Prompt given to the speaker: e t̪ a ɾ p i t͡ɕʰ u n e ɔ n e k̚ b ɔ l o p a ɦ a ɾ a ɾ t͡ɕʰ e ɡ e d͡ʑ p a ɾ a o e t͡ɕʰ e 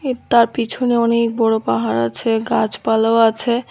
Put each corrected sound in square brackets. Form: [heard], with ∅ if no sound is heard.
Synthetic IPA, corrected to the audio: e t̪ a ɾ p i t͡ɕʰ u n e ɔ n e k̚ b ɔ [ɽ] o p a ɦ a ɾ a [∅] t͡ɕʰ e ɡ [a] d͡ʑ p a [l] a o [a] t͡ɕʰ e